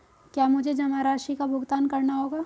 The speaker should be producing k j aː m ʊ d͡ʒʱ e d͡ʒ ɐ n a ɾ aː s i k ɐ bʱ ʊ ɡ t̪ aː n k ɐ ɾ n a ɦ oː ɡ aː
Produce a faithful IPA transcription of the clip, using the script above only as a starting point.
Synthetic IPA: k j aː m ʊ d͡ʒʱ e d͡ʒ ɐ m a ɾ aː ʃ i k a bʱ ʊ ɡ t̪ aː n k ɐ ɾ n a ɦ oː ɡ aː